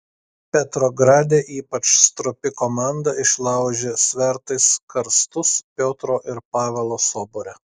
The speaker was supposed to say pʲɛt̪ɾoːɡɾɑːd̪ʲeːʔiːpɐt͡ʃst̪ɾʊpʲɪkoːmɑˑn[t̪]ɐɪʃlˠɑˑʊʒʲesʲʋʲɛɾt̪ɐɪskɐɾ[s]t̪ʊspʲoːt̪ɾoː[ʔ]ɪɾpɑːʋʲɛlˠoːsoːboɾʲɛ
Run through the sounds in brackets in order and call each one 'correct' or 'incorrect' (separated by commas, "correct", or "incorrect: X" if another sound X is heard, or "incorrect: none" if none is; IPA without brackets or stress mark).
incorrect: d̪, correct, correct